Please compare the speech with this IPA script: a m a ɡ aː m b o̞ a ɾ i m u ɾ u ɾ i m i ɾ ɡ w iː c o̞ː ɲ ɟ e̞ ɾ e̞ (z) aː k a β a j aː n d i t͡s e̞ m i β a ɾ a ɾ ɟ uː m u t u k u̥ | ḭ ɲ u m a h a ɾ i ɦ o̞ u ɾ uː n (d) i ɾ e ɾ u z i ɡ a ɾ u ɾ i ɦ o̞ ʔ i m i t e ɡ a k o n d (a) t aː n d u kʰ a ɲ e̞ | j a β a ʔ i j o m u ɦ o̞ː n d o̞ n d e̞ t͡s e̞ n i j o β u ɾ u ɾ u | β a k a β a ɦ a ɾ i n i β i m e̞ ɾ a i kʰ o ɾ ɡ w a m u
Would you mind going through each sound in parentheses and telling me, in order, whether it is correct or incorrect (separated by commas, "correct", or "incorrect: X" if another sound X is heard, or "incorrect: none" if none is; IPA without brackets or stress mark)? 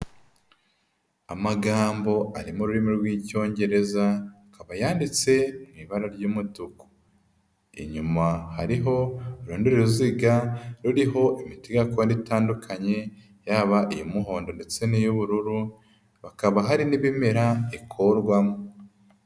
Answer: correct, correct, incorrect: i